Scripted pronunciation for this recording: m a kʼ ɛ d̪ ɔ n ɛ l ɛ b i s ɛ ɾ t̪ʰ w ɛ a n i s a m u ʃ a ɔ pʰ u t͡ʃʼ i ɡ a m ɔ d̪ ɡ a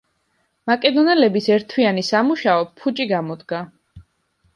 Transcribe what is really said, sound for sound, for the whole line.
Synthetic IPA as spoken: m a kʼ ɛ d̪ ɔ n ɛ l ɛ b i s ɛ ɾ t̪ʰ w i a n i s a m u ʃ a ɔ pʰ u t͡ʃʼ i ɡ a m ɔ d̪ ɡ a